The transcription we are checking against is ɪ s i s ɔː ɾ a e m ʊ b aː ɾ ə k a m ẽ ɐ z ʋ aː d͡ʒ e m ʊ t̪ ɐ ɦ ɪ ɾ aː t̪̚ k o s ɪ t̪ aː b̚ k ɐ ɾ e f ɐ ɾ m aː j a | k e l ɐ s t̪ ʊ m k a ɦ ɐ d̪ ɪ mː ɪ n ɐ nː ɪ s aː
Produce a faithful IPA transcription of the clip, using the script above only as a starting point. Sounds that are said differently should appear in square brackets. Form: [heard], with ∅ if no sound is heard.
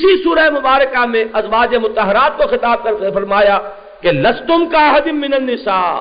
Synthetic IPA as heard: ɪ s i s [uː] ɾ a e m ʊ b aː ɾ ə k a m ẽ ɐ z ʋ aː d͡ʒ e m ʊ t̪ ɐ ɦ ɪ ɾ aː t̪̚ k o [x] ɪ t̪ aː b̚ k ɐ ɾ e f ɐ ɾ m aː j a | k e l ɐ s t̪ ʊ m k a ɦ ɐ d̪ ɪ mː ɪ n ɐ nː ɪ s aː